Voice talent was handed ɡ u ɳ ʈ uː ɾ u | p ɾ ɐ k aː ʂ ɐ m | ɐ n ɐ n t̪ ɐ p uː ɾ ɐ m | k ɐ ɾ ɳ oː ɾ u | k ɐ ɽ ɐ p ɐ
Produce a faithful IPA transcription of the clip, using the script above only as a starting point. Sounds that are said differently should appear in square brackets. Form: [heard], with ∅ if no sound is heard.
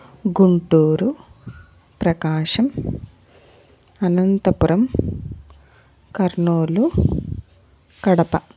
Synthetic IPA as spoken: ɡ u ɳ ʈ uː ɾ u | p ɾ ɐ k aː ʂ ɐ m | ɐ n ɐ n t̪ ɐ p [u] ɾ ɐ m | k ɐ ɾ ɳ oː [l] u | k ɐ ɽ ɐ p ɐ